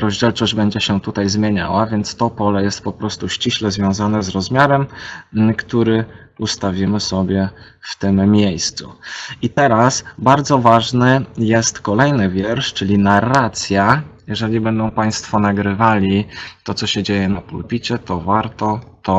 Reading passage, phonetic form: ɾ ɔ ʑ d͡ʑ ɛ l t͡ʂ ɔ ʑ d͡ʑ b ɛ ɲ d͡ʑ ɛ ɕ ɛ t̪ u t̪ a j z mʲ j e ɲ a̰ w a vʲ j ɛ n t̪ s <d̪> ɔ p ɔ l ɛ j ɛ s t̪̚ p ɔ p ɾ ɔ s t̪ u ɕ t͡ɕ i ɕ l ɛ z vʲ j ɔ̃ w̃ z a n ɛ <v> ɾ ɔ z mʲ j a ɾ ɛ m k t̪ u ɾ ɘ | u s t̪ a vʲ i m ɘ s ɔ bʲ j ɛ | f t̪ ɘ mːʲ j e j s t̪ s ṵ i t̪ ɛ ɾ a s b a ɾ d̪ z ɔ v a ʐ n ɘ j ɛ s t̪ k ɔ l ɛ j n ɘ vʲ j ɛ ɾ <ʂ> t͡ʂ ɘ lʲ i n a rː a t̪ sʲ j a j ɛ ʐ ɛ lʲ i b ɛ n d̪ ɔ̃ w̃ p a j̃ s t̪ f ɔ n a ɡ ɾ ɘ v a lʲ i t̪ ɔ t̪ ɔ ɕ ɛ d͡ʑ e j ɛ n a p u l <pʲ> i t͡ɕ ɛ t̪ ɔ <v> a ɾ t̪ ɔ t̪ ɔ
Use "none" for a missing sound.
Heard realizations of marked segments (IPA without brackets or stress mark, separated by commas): t̪, z, ʂ, pʲ, v